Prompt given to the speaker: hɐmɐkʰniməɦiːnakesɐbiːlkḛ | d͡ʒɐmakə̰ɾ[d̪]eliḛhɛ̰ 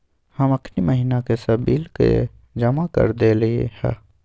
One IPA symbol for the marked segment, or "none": d̪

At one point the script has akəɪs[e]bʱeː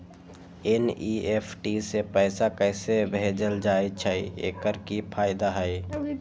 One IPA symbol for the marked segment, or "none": e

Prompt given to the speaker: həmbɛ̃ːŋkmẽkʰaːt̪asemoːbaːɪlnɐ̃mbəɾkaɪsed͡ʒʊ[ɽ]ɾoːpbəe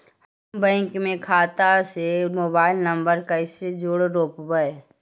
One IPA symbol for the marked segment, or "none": ɽ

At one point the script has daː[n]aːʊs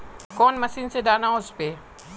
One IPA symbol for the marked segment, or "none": n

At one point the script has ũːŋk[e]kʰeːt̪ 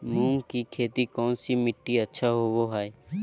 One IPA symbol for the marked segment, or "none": i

